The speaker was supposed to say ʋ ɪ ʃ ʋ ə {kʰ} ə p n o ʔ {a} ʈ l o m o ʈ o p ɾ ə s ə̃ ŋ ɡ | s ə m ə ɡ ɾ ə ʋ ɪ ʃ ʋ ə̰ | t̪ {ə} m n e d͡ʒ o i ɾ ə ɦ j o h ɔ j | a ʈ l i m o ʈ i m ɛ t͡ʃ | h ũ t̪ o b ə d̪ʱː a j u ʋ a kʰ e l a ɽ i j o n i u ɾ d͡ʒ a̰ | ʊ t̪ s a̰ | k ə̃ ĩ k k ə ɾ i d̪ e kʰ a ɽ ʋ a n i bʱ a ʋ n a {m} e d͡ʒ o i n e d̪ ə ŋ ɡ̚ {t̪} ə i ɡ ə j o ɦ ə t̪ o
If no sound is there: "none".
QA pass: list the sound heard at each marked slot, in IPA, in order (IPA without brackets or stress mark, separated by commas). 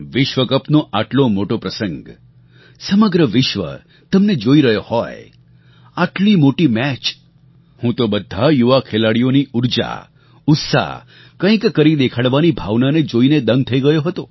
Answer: k, a, ə, n, t̪ʰ